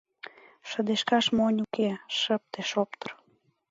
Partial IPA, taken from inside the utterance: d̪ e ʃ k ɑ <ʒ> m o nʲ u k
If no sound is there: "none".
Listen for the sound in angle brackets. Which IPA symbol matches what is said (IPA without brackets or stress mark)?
ʃ